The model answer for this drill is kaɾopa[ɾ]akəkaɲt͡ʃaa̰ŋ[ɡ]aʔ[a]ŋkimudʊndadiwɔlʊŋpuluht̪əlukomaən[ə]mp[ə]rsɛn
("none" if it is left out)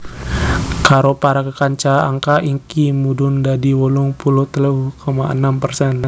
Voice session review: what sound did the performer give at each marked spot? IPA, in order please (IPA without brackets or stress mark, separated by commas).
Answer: ɾ, k, i, a, ə